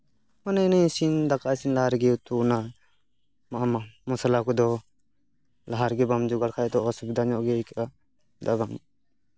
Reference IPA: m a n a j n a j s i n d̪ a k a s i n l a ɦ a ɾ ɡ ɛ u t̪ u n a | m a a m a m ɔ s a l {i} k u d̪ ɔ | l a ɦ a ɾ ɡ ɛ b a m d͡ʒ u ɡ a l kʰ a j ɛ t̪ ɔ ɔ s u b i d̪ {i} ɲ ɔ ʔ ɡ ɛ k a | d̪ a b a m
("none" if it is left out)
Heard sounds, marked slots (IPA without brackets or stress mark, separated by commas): a, a